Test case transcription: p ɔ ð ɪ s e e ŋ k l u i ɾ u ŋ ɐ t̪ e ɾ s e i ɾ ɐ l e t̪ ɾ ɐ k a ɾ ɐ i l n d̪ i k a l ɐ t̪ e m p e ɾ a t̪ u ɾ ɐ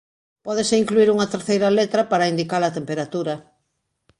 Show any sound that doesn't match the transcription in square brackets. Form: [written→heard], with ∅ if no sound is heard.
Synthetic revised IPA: p ɔ ð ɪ s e [e→i] ŋ k l u i ɾ u ŋ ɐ t̪ e ɾ [s→θ] e [i→j] ɾ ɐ l e t̪ ɾ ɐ [k→p] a ɾ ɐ i [l→∅] n d̪ i k a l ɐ t̪ e m p e ɾ a t̪ u ɾ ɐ